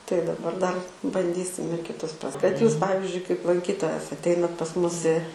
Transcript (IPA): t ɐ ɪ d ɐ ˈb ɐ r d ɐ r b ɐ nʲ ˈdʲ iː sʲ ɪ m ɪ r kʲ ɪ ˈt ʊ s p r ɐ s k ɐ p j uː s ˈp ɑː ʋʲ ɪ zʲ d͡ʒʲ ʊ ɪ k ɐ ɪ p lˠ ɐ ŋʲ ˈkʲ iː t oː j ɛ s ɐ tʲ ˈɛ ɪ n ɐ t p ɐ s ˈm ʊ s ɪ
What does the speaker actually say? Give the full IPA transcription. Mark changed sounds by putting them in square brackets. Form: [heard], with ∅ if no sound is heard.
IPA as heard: t ɐ ɪ d ɐ ˈb ɐ r d ɐ r b ɐ nʲ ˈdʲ iː sʲ ɪ m ɪ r kʲ ɪ ˈt ʊ s p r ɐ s k ɐ [t] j uː s ˈp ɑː ʋʲ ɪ zʲ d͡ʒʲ ʊ ɪ k ɐ ɪ p lˠ ɐ ŋʲ ˈkʲ iː t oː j ɛ s ɐ tʲ ˈɛ ɪ n ɐ t p ɐ s ˈm ʊ s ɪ